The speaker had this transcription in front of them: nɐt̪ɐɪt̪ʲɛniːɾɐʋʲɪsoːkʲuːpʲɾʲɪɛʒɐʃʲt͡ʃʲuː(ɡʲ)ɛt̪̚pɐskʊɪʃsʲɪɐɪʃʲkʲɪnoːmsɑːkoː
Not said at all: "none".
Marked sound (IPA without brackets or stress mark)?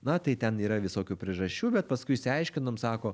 bʲ